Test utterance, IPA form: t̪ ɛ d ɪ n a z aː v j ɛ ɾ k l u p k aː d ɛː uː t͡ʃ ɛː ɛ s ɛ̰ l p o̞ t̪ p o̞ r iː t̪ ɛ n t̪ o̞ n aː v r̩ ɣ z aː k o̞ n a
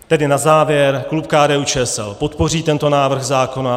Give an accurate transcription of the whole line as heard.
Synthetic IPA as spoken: t̪ ɛ d ɪ n a z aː v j ɛ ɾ k l u p k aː d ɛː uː t͡ʃ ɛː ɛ s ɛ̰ l p o̞ t̪ p o̞ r iː t̪ ɛ n t̪ o̞ n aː v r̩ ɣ z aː k o̞ n a

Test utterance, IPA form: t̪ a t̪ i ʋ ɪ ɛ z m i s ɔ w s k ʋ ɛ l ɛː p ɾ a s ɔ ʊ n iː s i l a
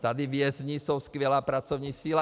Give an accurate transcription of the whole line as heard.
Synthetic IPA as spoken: t̪ a d̪ i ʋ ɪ ɛ z ɲ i s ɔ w s k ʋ ɛ l aː p ɾ a t͡s ɔ ʊ ɲ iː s i l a

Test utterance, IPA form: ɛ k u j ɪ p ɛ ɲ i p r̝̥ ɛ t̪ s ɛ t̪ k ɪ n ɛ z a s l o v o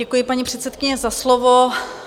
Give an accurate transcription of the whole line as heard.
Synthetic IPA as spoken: ɛ k u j ɪ p a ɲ i p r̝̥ ɛ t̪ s ɛ t̪ k ɪ ɲ ɛ z a s l o v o

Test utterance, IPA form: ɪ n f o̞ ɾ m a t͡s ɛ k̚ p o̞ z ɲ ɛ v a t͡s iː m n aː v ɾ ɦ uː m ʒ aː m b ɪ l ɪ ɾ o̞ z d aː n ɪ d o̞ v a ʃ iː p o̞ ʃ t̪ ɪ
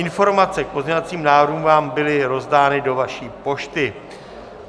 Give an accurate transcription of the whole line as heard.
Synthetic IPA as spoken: ɪ n f o̞ ɾ m a t͡s ɛ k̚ p o̞ z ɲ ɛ v a t͡s iː m n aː v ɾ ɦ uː m v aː m b ɪ l ɪ ɾ o̞ z d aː n ɪ d o̞ v a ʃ iː p o̞ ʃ t̪ ɪ

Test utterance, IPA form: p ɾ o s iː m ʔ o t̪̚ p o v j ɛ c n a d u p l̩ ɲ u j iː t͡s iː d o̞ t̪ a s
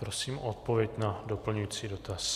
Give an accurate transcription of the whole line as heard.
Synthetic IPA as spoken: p ɾ o s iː m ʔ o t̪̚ p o v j ɛ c n a d o p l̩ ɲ u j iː t͡s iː d o̞ t̪ a s

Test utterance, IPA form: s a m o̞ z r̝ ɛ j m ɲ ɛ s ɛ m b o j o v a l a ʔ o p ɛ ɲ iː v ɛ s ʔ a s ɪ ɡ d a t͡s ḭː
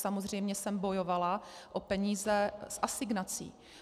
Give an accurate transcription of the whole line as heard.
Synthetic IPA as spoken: s a m o̞ z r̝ ɛ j m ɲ ɛ s ɛ m b o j o v a l a ʔ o p ɛ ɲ iː z ɛ s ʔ a s ɪ ɡ n a t͡s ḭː

